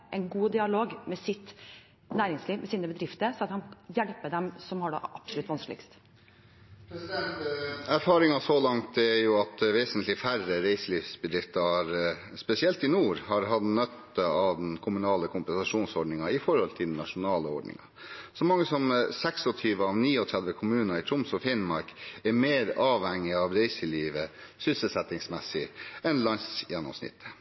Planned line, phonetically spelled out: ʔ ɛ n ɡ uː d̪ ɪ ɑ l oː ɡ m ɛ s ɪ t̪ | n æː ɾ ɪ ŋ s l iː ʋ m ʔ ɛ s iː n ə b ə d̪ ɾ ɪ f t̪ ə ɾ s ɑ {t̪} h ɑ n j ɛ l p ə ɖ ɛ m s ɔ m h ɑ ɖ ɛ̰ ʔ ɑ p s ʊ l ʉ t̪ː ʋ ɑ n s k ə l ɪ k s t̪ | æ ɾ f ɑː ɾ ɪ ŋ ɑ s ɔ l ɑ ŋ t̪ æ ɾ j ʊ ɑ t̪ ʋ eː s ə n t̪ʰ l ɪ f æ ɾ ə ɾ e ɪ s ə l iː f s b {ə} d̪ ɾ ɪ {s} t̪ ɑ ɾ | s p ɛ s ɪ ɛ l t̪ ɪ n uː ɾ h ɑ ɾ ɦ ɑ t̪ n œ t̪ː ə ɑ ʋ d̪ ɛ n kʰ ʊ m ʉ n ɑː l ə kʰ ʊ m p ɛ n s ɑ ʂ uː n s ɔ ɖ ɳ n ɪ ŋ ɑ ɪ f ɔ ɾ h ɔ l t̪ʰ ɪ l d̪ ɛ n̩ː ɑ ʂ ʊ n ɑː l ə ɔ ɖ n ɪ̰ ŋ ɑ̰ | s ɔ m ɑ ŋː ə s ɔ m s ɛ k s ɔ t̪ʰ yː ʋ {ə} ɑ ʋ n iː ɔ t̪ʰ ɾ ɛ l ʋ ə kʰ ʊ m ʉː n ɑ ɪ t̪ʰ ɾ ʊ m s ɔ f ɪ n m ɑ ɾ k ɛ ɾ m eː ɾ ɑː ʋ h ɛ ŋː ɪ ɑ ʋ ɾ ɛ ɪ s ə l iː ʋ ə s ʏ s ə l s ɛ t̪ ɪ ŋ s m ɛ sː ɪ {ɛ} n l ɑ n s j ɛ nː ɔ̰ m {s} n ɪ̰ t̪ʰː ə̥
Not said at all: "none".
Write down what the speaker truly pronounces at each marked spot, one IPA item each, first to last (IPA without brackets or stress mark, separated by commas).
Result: t̪, ə, f, ə, ɛ, s